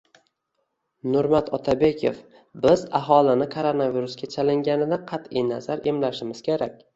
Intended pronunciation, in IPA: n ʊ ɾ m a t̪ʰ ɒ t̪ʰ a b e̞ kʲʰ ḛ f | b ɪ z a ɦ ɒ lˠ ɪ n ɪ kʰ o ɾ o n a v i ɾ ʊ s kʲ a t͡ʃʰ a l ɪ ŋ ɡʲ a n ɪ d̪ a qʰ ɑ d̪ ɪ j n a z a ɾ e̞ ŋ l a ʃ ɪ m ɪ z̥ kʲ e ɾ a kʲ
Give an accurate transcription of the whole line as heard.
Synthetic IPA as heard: n ʊ ɾ m a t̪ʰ ɒ t̪ʰ a b e̞ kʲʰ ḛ f | b ɪ z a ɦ ɒ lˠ ɪ n ɪ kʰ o ɾ o n a v i ɾ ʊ s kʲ a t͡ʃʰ a l ɪ ŋ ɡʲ a n ɪ d̪ a qʰ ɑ t̪ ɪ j n a z a ɾ e̞ m l a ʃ ɪ m ɪ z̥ kʲ e ɾ a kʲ